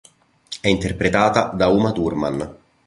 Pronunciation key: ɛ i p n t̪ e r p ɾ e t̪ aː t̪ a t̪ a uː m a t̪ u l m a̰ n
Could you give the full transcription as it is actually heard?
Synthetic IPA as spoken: ɛ i n t̪ e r p ɾ e t̪ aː t̪ a d̪ a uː m a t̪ u r m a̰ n

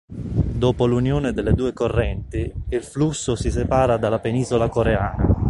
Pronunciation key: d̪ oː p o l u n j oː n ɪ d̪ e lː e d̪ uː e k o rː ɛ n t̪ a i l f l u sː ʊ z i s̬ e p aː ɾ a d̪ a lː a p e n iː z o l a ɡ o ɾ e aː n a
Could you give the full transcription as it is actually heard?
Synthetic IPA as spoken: d̪ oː p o l u n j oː n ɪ d̪ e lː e d̪ uː e k o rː ɛ n t̪ i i l f l u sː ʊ s i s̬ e p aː ɾ a d̪ a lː a p e n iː z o l a k o ɾ e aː n a

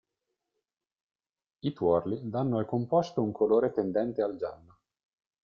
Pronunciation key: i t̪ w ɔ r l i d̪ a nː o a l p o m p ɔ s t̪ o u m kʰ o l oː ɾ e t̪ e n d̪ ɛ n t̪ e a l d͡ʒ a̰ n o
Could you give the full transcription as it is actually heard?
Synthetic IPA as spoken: i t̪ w ɔ r l i d̪ a nː o a l k o m p ɔ s t̪ o u ŋ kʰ o l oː ɾ e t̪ e n d̪ ɛ n t̪ e a l d͡ʒ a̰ nː o

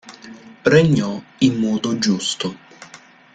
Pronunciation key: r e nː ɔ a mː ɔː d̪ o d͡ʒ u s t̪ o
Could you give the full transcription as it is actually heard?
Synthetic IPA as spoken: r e ɲː ɔ i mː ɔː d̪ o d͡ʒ u s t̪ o

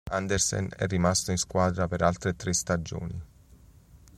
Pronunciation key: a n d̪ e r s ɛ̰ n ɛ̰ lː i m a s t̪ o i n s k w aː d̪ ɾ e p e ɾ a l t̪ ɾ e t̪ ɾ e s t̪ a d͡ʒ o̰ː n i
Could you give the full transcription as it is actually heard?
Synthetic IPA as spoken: a n d̪ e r s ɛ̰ n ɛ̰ rː i m a s t̪ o i n s k w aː d̪ ɾ a p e ɾ a l t̪ ɾ e t̪ ɾ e s t̪ a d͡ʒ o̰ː n i

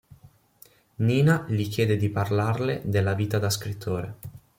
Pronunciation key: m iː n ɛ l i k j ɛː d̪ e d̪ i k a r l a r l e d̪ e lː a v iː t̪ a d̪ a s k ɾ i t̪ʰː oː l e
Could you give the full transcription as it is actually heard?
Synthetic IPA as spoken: n iː n a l i k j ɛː d̪ e d̪ i p a r l a r l e d̪ e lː a v iː t̪ a d̪ a s k ɾ i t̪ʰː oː ɾ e

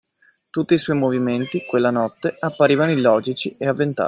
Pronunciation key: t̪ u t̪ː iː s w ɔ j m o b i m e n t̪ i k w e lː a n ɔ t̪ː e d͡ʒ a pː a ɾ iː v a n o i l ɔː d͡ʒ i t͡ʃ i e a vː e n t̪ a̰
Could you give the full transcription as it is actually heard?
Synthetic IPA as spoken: t̪ u t̪ː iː s w ɔ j m o v i m e n t̪ i k w e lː a n ɔ t̪ː e a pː a ɾ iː v a n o i l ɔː d͡ʒ i t͡ʃ i e a vː e n t̪ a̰

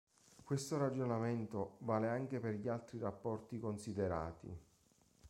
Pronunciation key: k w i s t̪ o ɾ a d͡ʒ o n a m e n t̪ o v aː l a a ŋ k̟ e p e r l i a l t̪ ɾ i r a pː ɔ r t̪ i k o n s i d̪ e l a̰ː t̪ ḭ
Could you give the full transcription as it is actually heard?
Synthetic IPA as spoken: k w e s t̪ o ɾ a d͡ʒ o n a m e n t̪ o v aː l e a ŋ k̟ e p e r ʎ i a l t̪ ɾ i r a pː ɔ r t̪ i k o n s i d̪ e ɾ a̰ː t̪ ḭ

